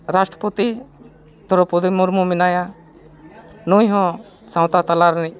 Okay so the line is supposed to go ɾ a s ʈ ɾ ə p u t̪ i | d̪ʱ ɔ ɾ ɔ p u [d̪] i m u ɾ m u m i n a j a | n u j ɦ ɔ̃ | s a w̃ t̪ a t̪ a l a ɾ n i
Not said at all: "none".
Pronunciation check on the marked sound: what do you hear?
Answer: d̪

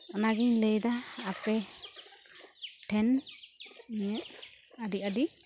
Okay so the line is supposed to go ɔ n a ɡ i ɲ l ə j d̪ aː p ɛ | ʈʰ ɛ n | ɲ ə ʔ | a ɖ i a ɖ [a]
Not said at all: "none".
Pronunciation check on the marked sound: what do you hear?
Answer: i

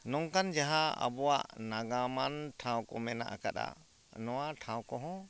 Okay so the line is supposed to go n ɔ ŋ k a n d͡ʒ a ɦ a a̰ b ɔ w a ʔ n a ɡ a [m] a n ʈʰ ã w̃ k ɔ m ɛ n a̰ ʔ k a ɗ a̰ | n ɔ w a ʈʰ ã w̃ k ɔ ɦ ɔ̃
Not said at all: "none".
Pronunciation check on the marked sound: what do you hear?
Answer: m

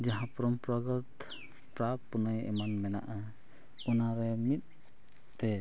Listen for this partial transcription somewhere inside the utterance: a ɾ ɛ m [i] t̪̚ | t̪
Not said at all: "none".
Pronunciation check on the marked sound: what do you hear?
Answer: i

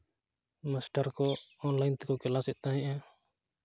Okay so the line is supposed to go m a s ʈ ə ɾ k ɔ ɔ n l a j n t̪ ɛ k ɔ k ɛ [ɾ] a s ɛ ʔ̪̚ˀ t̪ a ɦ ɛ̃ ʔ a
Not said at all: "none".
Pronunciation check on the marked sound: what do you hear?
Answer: l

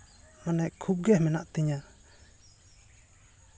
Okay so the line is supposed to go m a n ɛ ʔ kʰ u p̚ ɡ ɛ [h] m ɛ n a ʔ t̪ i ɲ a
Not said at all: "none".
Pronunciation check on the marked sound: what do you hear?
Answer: h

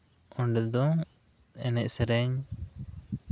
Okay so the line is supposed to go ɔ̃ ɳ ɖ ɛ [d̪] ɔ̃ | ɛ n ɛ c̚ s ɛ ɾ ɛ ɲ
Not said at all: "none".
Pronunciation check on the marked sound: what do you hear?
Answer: d̪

